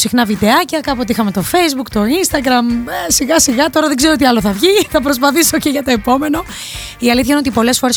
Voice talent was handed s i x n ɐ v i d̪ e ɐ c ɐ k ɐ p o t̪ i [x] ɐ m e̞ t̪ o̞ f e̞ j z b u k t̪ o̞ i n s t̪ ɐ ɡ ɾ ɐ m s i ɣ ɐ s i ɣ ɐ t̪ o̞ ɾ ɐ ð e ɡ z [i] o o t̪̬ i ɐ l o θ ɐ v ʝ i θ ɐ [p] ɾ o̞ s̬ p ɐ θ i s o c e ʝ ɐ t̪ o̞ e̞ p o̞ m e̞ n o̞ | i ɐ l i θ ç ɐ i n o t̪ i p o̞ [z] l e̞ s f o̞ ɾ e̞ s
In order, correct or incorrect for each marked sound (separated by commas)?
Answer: correct, incorrect, correct, incorrect